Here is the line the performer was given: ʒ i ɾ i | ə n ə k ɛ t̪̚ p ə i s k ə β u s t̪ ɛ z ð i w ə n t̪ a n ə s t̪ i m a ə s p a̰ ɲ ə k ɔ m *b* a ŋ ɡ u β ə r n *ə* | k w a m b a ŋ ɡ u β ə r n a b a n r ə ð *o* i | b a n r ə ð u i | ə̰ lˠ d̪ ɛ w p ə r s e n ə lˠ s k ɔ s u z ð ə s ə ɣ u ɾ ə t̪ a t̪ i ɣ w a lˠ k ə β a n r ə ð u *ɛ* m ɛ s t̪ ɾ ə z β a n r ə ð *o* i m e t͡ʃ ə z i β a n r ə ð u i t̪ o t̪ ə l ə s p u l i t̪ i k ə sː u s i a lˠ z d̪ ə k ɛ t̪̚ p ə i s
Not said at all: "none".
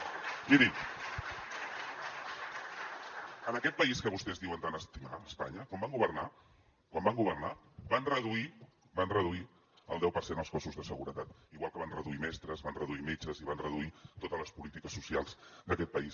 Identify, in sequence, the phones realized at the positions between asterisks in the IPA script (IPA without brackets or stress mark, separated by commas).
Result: b, a, u, i, u